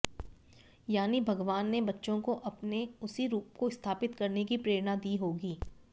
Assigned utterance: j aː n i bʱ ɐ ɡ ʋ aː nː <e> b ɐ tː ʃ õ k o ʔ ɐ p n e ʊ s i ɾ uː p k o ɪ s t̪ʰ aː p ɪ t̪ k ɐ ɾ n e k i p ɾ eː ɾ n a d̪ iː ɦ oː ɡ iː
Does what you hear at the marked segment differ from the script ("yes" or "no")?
no